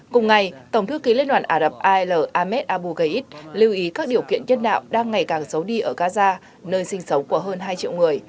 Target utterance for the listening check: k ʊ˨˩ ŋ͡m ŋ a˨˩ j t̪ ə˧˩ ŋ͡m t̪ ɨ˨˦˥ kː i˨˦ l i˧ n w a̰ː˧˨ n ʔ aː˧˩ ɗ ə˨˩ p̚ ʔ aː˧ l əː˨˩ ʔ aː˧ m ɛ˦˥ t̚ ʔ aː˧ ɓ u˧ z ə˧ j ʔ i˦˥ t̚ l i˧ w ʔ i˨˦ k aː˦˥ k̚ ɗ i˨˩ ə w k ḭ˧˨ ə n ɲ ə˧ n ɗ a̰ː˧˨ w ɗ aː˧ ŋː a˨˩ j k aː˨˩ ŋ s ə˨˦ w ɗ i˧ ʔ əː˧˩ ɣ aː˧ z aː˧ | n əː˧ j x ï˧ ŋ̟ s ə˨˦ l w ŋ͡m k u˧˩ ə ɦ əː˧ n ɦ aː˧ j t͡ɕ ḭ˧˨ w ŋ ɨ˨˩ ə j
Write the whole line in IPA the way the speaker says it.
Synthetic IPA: k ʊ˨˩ ŋ͡m ŋ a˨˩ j t̪ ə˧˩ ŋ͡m t̪ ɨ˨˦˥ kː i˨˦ l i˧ n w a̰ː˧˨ n ʔ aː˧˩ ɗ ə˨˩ p̚ ʔ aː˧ l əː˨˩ ʔ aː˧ m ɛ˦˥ t̚ ʔ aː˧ ɓ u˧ ɣ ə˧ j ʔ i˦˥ t̚ l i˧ w ʔ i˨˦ k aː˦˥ k̚ ɗ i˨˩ ə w k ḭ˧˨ ə n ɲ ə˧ n ɗ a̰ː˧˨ w ɗ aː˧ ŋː a˨˩ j k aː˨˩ ŋ s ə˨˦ w ɗ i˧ ʔ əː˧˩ ɣ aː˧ z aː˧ | n əː˧ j s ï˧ ŋ̟ s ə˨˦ w ŋ͡m k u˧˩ ə ɦ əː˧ n ɦ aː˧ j t͡ɕ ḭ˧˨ w ŋ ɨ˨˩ ə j